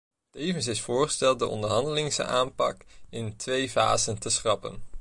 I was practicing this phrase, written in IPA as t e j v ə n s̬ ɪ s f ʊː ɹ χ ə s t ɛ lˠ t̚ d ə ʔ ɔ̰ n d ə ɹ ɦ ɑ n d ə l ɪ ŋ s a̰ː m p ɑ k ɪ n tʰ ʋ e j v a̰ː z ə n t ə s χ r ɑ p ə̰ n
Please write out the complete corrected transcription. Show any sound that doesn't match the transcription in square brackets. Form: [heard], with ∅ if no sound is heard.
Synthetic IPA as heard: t e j v ə n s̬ ɪ s f ʊː ɹ χ ə s t ɛ lˠ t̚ d ə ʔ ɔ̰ n d ə ɹ ɦ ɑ n d ə l ɪ ŋ s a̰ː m p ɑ k ɪ n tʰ ʋ e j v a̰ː z ə n t ə s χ r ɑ p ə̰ n